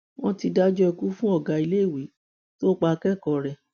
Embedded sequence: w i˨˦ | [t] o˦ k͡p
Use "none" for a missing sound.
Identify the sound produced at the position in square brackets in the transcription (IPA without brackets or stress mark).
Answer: t